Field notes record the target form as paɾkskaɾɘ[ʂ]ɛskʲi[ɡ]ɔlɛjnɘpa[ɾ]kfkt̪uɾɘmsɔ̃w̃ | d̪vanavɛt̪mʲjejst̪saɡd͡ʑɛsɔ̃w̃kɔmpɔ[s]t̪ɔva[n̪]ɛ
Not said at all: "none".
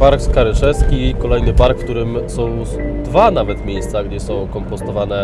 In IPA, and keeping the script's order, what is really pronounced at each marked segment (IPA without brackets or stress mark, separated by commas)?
ʂ, k, ɾ, s, n̪